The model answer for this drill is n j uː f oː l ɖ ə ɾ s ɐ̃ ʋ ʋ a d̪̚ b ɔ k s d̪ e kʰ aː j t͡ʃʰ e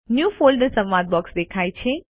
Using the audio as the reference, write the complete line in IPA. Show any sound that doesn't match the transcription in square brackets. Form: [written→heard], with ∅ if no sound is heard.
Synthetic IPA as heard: n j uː f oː l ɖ ə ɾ s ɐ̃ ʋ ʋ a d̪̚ b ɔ k s d̪ e kʰ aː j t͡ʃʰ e